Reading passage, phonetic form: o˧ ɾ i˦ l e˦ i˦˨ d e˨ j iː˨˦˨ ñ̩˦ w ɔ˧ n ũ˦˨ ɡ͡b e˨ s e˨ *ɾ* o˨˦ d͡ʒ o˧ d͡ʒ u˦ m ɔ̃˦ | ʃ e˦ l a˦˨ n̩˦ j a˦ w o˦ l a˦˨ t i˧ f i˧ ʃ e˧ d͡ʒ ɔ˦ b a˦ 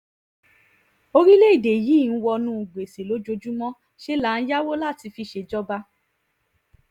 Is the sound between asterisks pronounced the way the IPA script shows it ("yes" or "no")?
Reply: no